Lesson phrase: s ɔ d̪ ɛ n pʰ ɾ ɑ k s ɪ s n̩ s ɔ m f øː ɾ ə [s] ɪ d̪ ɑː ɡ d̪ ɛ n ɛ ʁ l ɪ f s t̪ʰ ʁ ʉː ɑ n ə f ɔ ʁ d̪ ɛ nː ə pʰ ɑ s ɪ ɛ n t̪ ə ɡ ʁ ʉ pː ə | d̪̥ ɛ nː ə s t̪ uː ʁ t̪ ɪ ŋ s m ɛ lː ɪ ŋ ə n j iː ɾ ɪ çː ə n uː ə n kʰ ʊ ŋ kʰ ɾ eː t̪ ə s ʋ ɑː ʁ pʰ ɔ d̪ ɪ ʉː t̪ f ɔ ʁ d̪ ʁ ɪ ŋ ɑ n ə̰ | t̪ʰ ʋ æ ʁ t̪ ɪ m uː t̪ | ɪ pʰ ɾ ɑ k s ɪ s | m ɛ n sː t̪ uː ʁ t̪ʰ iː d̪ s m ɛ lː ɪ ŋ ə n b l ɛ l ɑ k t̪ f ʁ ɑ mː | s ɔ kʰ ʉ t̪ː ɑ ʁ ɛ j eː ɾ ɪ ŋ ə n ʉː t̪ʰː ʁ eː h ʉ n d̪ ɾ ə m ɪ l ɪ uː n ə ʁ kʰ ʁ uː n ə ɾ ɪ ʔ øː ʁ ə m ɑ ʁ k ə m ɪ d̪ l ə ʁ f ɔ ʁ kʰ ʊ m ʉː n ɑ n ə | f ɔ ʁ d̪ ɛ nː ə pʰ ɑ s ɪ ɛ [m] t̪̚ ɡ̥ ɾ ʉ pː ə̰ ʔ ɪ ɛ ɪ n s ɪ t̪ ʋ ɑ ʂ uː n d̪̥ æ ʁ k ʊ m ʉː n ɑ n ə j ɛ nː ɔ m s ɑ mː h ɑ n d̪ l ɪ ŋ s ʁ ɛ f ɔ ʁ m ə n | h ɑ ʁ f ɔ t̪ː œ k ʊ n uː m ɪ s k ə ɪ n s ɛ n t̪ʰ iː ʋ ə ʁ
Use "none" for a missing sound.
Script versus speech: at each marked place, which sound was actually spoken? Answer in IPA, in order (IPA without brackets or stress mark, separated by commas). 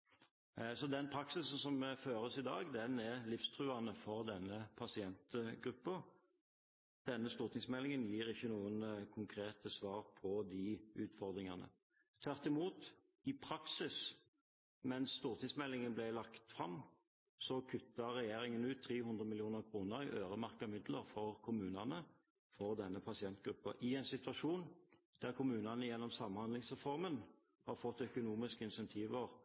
s, n